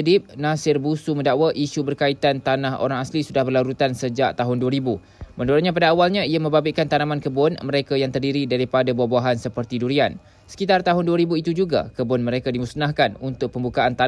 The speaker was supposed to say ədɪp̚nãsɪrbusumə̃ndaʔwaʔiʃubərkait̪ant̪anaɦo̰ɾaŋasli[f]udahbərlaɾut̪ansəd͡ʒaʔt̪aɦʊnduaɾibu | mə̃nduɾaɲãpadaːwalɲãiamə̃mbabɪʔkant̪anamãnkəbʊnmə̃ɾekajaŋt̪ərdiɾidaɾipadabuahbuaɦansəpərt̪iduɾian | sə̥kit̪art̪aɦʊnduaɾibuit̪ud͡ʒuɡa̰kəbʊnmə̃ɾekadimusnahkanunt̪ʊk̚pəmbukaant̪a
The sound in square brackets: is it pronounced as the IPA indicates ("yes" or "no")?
no